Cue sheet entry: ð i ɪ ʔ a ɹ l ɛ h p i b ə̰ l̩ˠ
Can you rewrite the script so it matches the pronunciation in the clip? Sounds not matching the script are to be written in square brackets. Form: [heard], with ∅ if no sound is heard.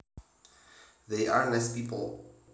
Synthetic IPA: ð [e] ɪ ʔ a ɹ l ɛ [s] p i [p] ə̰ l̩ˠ